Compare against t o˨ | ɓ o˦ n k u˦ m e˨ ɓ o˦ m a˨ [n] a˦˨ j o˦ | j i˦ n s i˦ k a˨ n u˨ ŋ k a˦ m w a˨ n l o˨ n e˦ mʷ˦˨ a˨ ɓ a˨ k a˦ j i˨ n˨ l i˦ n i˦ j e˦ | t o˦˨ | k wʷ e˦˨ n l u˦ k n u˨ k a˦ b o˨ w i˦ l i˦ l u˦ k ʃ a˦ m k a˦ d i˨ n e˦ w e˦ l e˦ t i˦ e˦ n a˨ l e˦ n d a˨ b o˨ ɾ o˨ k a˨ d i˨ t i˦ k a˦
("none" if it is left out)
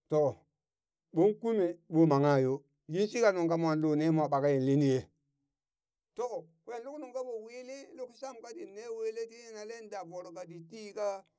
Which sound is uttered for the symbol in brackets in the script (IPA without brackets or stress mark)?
ŋ